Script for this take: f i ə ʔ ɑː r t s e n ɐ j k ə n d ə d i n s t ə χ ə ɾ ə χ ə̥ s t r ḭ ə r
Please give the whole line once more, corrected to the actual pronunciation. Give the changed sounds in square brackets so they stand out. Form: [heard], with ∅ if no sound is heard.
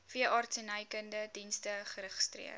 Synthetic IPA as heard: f i ə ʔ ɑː r t s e n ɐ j k ə n d ə d i n s t ə χ ə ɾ ə χ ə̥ s t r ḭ ə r

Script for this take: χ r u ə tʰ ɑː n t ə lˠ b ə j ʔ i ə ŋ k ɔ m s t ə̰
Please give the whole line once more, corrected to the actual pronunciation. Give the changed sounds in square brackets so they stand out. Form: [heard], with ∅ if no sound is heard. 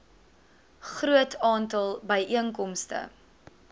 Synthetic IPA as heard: χ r u ə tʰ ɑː n t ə lˠ b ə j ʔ i ə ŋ k ɔ m s t ə̰

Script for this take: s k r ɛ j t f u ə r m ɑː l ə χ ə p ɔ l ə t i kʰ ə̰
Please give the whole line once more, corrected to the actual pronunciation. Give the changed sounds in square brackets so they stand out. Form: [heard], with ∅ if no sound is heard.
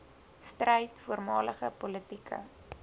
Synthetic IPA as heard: s [t] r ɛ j t f u ə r m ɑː l ə χ ə p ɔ l ə t i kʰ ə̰

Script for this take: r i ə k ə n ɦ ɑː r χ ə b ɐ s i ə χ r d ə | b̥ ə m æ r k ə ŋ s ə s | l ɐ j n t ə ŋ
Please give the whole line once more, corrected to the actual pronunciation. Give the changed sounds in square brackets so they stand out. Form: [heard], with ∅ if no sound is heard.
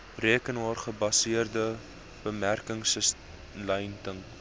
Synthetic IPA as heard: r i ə k ə n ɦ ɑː r χ ə b ɐ s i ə [∅] r d ə | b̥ ə m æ r k ə ŋ s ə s | l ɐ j n t ə ŋ

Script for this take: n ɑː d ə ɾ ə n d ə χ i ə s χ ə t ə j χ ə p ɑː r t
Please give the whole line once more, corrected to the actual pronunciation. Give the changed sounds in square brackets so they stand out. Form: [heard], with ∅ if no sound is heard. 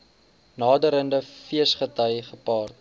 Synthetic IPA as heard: n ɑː d ə ɾ ə n d ə [f] i ə s χ ə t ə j χ ə p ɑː r t

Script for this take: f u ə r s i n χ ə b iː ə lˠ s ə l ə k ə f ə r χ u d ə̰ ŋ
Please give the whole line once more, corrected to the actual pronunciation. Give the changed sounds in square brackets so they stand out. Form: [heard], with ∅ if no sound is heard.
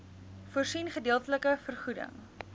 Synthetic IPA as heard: f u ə r s i n χ ə [d] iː ə lˠ [t] ə l ə k ə f ə r χ u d ə̰ ŋ

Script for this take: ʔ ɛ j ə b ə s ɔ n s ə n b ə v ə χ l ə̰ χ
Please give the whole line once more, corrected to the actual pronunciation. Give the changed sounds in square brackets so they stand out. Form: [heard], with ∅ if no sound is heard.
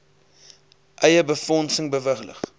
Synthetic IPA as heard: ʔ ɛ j ə b ə [f] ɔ n s ə [ŋ] b ə v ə χ l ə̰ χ

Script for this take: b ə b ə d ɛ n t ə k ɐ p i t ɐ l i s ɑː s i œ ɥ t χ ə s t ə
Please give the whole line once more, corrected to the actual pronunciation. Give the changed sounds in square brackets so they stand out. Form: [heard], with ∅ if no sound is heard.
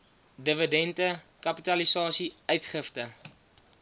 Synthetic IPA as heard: [d] ə [v] ə d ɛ n t ə k ɐ p i t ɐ l i s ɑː s i œ ɥ t χ ə [f] t ə

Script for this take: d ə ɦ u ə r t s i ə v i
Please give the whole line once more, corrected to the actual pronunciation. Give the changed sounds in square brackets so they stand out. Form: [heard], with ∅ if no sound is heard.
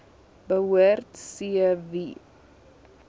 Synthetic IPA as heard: [b] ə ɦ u ə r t s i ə v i

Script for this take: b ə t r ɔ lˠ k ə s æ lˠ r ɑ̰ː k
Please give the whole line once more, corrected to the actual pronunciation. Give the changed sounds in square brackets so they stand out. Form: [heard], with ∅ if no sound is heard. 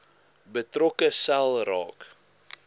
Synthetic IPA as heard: b ə t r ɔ [∅] k ə s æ lˠ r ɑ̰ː k

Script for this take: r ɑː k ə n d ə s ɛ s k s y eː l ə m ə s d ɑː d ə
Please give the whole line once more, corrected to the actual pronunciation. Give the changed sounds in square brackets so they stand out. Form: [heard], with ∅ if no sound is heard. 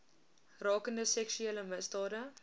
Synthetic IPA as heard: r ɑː k ə n d ə s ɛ [∅] k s y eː l ə m ə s d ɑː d ə

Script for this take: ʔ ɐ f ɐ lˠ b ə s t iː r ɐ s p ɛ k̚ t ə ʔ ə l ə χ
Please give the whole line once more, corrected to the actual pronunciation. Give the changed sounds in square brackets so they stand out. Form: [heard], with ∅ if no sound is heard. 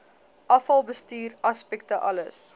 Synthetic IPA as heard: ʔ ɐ f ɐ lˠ b ə s t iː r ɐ s p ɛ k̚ t ə ʔ [ɐ] l ə [s]

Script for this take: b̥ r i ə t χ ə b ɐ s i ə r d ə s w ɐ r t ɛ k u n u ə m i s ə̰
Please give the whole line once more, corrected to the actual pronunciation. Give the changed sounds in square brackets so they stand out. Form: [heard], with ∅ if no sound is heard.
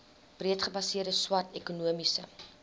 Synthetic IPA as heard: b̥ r i ə t χ ə b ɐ s i ə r d ə s w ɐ r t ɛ k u n u ə m i s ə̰

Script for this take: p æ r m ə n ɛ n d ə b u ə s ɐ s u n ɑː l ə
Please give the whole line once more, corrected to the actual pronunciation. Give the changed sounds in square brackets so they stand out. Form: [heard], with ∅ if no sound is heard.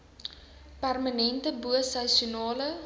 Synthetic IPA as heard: p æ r m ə n ɛ n [t] ə b u ə s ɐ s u n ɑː l ə

